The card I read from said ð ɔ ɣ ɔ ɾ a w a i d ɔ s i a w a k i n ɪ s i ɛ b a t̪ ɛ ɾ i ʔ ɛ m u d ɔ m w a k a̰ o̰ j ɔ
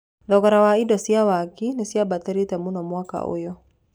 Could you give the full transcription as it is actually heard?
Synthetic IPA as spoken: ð ɔ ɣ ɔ ɾ a w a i d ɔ s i a w a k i n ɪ s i a b a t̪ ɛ ɾ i t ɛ m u n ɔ m w a k a̰ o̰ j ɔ